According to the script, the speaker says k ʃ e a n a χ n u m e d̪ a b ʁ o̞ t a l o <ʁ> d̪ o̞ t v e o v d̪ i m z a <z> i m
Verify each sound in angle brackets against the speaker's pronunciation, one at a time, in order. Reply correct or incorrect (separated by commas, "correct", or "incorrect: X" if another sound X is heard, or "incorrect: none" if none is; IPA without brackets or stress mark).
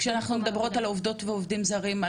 incorrect: v, incorrect: ʁ